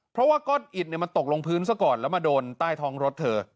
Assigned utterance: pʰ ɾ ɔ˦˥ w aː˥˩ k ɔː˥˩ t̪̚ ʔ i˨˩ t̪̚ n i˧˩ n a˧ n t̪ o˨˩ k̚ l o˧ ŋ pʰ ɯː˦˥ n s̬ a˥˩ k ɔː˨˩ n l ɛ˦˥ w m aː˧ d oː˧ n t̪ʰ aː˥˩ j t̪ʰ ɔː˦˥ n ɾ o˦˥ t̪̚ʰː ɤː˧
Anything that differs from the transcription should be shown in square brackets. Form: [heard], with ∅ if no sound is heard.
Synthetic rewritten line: pʰ ɾ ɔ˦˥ w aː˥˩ k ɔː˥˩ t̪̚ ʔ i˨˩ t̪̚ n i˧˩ [m] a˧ n t̪ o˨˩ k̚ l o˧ ŋ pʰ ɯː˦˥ n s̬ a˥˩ k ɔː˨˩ n l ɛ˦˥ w m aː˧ d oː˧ n [t̪] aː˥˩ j t̪ʰ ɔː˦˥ [ŋ] ɾ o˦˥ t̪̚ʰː ɤː˧